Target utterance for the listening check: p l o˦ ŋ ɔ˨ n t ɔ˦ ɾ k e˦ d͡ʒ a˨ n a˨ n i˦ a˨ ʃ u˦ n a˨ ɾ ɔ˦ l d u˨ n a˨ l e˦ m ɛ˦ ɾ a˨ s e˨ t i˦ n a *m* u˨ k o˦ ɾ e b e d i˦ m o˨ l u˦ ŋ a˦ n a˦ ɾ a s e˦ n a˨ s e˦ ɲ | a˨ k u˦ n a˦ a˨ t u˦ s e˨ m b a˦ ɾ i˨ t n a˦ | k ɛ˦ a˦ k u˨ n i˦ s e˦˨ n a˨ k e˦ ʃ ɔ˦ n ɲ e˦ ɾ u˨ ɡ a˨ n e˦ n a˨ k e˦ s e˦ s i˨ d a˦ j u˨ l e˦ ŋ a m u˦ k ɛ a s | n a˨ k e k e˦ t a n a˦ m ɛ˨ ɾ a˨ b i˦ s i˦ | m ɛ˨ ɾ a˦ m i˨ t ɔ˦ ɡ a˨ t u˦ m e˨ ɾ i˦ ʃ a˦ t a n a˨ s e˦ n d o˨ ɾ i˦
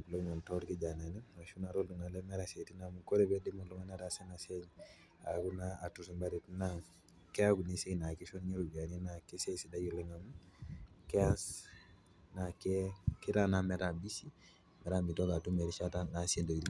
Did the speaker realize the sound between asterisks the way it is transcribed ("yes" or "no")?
yes